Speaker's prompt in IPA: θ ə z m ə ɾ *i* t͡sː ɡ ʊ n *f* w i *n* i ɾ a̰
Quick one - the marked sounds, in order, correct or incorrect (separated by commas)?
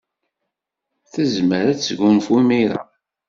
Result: incorrect, correct, incorrect